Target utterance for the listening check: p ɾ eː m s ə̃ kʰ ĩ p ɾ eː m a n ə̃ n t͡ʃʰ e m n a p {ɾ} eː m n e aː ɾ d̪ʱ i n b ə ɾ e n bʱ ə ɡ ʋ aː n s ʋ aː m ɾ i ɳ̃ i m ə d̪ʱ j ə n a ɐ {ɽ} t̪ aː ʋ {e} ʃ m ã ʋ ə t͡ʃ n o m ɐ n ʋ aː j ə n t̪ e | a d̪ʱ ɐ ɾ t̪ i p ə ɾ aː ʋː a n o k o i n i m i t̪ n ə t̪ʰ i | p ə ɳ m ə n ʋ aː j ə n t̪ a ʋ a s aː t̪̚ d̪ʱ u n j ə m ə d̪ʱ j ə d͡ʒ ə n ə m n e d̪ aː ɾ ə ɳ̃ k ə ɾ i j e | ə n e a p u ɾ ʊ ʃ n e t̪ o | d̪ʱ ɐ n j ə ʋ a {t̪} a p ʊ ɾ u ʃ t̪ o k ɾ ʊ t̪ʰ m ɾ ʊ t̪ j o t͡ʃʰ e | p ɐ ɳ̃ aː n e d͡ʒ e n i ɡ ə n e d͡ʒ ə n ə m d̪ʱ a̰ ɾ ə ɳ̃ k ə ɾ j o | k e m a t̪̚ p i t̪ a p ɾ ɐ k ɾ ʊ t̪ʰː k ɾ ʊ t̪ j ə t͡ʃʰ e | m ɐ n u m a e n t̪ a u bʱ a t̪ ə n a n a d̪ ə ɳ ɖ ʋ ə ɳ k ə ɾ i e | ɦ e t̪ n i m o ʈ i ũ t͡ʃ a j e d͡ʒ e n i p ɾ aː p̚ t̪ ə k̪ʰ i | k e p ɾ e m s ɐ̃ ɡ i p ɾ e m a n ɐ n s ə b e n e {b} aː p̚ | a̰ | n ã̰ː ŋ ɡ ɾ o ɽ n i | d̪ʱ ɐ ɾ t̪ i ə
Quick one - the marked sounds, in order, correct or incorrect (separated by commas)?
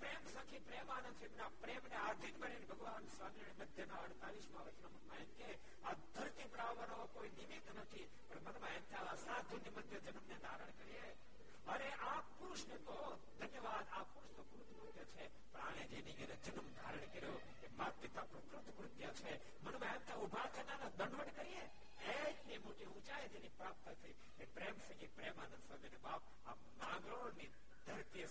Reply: correct, correct, incorrect, incorrect, correct